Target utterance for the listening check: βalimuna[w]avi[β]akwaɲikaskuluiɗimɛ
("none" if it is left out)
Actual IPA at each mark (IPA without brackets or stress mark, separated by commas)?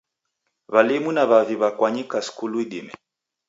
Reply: β, β